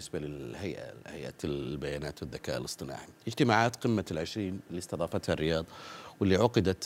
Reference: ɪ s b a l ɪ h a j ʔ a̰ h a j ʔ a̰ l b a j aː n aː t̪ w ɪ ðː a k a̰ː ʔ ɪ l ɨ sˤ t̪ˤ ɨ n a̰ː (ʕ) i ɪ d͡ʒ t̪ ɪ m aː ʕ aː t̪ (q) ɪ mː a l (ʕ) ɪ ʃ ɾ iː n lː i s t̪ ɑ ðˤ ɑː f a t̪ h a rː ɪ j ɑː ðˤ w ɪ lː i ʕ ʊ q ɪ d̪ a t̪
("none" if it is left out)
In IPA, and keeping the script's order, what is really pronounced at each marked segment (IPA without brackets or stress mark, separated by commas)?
ʕ, q, ʕ